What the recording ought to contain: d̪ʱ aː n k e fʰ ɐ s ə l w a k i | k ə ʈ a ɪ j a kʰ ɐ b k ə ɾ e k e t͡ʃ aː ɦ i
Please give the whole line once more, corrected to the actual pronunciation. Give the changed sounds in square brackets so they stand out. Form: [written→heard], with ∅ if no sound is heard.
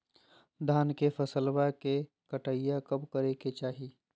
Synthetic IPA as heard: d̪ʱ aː n k e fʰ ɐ s ə l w a k [i→e] | k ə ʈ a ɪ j a [kʰ→k] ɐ b k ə ɾ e k e t͡ʃ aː ɦ i